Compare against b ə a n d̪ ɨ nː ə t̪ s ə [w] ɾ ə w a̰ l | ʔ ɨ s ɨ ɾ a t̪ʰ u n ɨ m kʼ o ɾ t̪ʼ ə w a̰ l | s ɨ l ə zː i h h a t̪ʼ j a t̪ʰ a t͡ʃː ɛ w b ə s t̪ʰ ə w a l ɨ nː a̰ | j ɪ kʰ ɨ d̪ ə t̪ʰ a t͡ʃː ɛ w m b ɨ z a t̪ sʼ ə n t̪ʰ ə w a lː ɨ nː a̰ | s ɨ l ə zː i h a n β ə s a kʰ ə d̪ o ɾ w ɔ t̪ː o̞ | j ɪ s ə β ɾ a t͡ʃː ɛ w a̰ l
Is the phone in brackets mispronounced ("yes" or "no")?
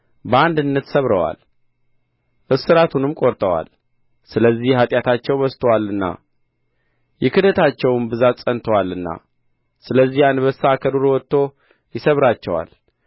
yes